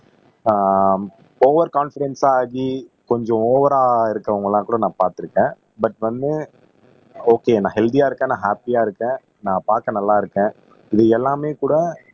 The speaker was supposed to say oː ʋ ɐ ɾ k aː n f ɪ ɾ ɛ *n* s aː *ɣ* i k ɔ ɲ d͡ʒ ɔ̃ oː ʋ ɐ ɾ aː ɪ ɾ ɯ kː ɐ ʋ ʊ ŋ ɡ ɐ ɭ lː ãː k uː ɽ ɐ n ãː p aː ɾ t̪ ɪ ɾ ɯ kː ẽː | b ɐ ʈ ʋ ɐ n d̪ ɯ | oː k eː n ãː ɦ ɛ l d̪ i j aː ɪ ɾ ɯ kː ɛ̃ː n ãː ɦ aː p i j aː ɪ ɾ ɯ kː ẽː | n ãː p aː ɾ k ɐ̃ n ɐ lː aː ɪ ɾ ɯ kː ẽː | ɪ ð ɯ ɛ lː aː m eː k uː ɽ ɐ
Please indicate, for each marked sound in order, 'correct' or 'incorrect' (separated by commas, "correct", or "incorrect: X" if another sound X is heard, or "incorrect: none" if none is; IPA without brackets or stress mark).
correct, correct